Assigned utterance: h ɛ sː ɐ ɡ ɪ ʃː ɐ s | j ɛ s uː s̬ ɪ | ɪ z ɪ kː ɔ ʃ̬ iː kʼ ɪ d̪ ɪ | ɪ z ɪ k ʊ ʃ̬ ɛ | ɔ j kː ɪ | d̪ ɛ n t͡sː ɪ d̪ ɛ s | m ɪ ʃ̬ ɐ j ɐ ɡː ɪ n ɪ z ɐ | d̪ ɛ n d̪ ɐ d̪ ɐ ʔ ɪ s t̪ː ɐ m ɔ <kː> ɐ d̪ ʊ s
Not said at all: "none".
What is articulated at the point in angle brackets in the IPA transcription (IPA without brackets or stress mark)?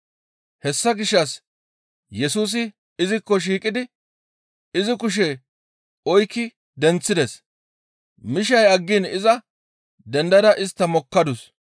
kː